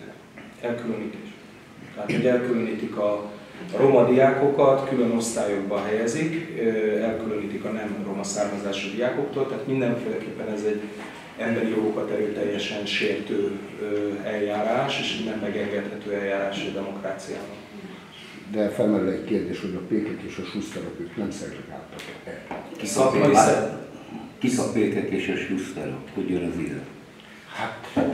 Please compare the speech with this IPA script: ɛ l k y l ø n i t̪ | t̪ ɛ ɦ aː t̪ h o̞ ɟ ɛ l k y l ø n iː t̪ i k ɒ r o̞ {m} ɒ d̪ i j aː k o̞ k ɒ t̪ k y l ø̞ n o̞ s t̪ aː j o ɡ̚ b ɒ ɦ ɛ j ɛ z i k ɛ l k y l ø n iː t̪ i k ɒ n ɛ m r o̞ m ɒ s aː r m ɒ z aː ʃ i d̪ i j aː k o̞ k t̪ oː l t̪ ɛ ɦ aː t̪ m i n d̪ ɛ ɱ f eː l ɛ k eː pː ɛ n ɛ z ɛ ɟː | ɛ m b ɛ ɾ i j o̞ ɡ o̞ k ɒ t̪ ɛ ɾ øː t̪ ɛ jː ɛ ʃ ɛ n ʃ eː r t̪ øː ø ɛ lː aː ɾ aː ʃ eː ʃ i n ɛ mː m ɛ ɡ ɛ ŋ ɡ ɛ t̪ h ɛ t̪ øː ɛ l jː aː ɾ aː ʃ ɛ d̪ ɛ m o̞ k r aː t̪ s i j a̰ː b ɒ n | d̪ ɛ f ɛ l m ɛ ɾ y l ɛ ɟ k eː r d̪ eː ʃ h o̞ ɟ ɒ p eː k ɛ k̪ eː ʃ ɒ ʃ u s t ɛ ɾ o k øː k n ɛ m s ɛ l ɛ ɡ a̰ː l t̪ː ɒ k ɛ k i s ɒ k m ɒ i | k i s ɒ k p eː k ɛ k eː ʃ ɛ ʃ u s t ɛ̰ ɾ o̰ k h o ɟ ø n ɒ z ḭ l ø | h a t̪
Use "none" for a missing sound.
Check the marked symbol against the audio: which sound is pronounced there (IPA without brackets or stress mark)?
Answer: m